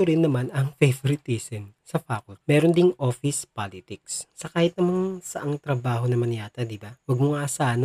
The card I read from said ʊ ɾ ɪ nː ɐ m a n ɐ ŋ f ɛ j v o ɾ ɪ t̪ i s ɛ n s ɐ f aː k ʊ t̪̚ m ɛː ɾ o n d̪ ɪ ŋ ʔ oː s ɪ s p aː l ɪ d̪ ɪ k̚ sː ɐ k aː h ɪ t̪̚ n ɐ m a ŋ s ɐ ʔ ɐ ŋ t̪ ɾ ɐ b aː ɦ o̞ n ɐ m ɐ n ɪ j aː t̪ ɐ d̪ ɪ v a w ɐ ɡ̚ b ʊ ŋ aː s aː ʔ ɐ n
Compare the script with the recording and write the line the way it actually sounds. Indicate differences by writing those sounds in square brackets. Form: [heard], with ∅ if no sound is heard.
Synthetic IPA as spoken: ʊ ɾ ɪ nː ɐ m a n ɐ ŋ f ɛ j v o ɾ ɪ t̪ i s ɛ n s ɐ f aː k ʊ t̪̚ m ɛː ɾ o n d̪ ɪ ŋ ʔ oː [f] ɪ s p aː l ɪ [t̪] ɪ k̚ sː ɐ k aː h ɪ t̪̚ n ɐ m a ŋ s ɐ ʔ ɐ ŋ t̪ ɾ ɐ b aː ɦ o̞ n ɐ m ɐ n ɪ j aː t̪ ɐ d̪ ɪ [b] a w ɐ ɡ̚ [m] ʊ ŋ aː s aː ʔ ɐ n